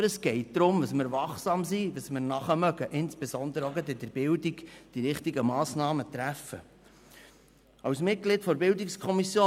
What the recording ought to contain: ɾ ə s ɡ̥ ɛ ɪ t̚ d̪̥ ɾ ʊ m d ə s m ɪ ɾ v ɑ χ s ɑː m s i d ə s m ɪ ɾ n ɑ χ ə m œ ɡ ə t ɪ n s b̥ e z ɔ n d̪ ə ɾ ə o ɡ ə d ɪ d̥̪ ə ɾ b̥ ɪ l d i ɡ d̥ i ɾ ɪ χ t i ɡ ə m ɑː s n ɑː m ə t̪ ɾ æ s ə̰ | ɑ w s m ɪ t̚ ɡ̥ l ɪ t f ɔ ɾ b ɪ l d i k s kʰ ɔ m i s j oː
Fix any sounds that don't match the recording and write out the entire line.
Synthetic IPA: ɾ ə s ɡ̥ ɛ ɪ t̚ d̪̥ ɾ ʊ m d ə s m ɪ ɾ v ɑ χ s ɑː m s i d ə s m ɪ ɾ n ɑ χ ə m œ ɡ ə ʔ ɪ n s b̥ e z ɔ n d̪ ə ɾ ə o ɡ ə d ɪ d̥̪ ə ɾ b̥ ɪ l d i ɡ d̥ i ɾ ɪ χ t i ɡ ə m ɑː s n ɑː m ə t̪ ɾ æ f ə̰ | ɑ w s m ɪ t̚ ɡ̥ l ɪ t f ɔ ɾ b ɪ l d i k s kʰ ɔ m i s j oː